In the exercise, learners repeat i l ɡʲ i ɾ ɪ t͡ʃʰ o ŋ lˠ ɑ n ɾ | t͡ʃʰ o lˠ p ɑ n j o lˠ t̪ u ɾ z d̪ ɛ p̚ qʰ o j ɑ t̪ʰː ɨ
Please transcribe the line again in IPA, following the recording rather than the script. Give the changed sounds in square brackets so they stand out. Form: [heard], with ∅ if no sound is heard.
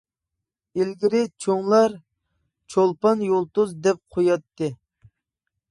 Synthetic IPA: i l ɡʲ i ɾ ɪ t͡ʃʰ o ŋ lˠ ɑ [∅] ɾ | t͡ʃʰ o lˠ p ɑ n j o lˠ t̪ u [∅] z d̪ ɛ p̚ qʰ o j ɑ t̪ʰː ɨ